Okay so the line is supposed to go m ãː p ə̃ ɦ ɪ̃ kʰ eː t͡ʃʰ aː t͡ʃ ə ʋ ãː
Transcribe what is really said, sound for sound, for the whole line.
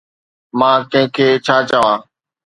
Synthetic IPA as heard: m ãː k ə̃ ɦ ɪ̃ kʰ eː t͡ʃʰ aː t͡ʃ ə ʋ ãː